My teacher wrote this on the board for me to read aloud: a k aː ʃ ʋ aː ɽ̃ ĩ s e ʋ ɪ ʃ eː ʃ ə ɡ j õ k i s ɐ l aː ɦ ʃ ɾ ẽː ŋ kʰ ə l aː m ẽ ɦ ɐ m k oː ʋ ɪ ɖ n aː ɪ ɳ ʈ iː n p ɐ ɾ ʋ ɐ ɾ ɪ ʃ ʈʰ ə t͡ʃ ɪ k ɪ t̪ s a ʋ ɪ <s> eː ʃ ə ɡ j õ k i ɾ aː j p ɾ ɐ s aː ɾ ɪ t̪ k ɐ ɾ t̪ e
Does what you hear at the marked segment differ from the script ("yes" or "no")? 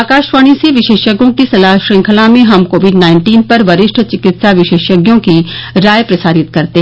yes